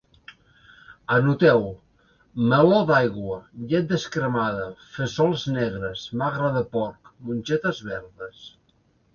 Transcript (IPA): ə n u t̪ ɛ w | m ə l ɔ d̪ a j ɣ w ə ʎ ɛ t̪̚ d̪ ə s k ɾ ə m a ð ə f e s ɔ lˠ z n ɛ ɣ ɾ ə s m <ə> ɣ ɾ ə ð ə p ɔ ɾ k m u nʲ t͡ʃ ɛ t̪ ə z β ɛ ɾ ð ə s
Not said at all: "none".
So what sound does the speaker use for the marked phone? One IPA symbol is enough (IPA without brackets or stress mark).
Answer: a